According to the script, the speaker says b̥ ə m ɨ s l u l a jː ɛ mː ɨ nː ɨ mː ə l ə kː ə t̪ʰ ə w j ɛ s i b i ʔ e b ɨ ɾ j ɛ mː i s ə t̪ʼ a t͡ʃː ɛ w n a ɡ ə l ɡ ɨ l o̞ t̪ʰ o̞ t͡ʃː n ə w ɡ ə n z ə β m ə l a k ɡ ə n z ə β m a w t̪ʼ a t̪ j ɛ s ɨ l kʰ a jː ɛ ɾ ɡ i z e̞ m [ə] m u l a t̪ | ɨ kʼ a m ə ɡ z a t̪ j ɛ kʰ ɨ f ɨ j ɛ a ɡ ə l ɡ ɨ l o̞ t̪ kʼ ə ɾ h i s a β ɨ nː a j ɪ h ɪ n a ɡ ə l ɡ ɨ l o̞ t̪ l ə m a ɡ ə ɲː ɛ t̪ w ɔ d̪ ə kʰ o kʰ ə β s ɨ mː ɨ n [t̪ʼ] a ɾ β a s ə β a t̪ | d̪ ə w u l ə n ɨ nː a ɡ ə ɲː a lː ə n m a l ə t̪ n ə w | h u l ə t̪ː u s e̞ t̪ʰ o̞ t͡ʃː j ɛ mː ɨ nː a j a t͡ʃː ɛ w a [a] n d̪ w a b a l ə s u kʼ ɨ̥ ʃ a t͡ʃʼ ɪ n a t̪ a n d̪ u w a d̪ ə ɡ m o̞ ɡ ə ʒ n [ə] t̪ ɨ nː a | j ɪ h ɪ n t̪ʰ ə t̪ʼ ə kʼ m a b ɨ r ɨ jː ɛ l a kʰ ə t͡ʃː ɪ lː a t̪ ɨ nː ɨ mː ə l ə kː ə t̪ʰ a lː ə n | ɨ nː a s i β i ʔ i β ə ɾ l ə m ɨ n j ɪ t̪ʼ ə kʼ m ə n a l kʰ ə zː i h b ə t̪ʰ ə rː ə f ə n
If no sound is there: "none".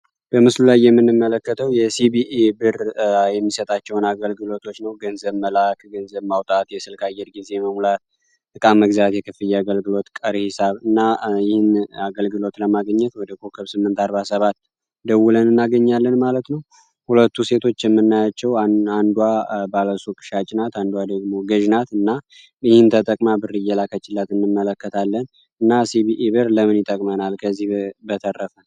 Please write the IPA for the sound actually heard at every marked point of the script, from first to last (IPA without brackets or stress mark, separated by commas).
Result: ə, t̪, a, a